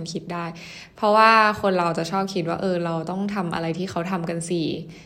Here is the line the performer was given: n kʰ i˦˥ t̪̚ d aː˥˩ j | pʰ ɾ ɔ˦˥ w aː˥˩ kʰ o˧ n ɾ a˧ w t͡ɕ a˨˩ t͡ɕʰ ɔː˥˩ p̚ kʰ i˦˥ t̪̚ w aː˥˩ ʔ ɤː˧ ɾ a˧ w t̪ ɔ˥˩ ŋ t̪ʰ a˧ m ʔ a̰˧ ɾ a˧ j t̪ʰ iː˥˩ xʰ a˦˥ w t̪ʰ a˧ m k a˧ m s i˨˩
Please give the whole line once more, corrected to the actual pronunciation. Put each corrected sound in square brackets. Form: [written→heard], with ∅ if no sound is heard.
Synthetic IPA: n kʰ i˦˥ t̪̚ d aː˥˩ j | pʰ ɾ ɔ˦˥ w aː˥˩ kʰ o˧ n ɾ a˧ w t͡ɕ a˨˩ t͡ɕʰ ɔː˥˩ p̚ kʰ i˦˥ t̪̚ w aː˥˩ ʔ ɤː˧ ɾ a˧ w t̪ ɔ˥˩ ŋ t̪ʰ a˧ m ʔ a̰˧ ɾ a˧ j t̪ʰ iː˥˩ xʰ a˦˥ w t̪ʰ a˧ m k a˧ [m→n] s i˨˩